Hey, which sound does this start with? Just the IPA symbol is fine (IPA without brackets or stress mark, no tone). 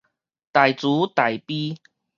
t̪